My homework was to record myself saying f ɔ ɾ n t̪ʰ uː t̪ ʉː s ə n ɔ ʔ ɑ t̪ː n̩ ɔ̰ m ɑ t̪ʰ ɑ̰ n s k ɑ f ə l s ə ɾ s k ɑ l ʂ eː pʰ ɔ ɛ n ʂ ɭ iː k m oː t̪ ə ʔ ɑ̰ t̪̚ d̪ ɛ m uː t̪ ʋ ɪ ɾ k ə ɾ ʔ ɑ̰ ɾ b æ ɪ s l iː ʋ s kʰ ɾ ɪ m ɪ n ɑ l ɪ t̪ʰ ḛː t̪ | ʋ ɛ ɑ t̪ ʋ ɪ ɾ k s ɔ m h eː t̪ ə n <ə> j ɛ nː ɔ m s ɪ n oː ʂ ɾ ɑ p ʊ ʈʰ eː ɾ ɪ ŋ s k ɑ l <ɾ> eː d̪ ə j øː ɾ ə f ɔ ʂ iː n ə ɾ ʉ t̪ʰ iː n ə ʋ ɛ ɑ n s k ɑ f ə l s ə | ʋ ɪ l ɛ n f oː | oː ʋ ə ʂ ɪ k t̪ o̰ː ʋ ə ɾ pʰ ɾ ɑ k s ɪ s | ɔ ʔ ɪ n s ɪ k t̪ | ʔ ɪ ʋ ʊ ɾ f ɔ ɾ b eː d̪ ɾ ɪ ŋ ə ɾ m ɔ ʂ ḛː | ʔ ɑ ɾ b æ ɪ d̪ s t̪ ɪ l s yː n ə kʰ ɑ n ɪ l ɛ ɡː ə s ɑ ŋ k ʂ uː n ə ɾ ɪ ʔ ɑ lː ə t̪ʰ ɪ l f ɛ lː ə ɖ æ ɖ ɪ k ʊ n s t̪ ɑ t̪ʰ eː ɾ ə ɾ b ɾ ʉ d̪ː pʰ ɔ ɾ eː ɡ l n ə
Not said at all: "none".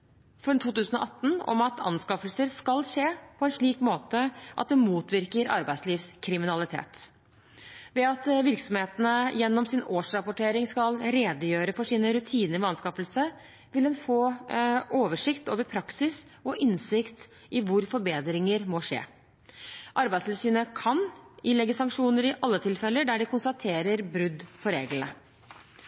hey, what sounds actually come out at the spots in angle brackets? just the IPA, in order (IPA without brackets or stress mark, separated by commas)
ə, ɾ